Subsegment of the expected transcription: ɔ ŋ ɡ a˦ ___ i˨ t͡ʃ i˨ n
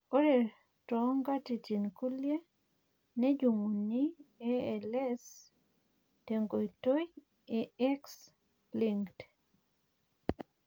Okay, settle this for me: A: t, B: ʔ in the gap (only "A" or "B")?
A